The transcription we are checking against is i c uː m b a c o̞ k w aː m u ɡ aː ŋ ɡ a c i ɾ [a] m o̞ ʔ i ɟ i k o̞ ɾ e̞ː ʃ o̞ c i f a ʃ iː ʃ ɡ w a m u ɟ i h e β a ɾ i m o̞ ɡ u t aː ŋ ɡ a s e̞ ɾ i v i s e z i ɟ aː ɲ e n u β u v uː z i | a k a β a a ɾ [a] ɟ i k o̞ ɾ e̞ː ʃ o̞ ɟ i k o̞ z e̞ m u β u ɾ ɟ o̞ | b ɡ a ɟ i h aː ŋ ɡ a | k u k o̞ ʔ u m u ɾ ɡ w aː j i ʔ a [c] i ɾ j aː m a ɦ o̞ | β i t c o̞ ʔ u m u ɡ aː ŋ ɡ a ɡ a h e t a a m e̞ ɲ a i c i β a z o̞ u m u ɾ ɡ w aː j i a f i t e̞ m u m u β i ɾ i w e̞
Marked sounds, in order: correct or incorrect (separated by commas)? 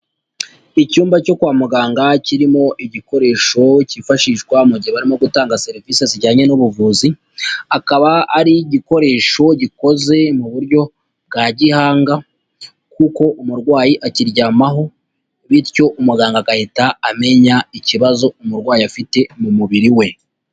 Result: incorrect, incorrect, correct